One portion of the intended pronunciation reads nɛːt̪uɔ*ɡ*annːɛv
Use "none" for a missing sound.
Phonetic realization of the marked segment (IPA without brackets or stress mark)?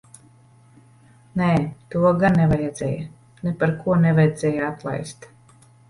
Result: ɡ